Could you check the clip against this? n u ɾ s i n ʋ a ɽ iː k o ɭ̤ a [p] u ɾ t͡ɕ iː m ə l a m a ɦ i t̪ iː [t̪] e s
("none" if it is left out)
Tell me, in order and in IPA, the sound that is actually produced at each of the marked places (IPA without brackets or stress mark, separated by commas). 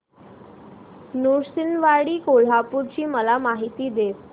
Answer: p, d̪